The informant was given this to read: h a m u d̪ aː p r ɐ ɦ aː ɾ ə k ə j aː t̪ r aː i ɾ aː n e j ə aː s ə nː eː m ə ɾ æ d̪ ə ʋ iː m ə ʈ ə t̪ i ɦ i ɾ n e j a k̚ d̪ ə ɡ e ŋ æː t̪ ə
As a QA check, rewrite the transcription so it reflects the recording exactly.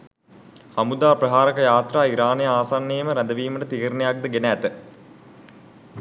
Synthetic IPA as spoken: h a m u d̪ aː p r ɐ ɦ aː ɾ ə k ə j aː t̪ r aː i ɾ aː n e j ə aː s a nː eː m ə ɾ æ d̪ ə ʋ iː m ə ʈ ə t̪ i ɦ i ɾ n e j a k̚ d̪ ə ɡ e n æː t̪ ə

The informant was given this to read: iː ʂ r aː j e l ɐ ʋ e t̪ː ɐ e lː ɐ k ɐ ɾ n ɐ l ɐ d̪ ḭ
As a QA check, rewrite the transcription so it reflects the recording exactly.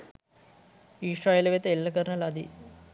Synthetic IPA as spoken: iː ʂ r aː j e l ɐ ʋ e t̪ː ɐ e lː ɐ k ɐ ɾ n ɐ l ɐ d̪ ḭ

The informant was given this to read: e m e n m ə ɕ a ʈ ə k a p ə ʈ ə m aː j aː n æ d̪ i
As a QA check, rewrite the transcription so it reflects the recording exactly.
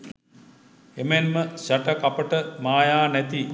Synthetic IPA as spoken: e m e n m ə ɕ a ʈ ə k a p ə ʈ ə m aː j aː n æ t̪ i

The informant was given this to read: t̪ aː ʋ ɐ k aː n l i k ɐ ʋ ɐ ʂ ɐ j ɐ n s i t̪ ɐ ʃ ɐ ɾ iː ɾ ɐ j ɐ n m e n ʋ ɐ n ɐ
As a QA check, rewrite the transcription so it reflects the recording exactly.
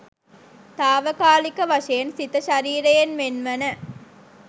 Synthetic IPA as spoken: t̪ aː ʋ ɐ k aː l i k ɐ ʋ ɐ ʂ ɐ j ɐ n s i t̪ ɐ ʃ ɐ ɾ iː ɾ ɐ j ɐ n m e n ʋ ɐ n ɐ

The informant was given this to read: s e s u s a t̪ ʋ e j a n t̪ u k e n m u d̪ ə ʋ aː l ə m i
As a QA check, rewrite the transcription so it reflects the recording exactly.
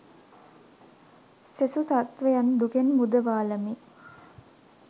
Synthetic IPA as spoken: s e s u s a t̪ ʋ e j a n d̪ u k e n m u d̪ ə ʋ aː l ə m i

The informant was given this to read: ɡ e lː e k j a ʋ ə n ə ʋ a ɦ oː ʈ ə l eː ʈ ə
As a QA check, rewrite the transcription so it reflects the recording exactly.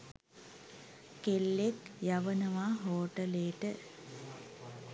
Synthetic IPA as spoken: k e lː e k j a ʋ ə n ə ʋ a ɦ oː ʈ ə l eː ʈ ə

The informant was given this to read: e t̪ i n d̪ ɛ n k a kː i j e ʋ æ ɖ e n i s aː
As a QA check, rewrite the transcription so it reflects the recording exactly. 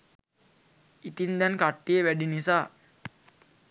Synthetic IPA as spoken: i t̪ i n d̪ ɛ n k a ʈː i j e ʋ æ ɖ i n i s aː

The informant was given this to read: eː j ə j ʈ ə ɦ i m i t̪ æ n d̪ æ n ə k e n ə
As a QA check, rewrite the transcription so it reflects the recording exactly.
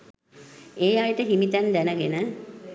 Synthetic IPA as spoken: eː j a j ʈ ə ɦ i m i t̪ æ n d̪ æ n ə ɡ e n ə

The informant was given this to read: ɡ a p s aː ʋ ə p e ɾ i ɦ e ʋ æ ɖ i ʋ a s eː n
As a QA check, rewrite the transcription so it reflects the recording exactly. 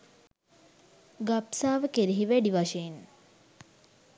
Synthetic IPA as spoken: ɡ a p s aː ʋ ə k e ɾ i ɦ i ʋ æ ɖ i ʋ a ʃ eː n

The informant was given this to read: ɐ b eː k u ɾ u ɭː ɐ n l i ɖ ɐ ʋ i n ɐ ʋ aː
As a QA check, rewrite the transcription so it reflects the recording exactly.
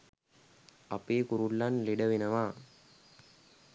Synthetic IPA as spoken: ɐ p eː k u ɾ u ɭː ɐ n l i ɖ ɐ ʋ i n ɐ ʋ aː

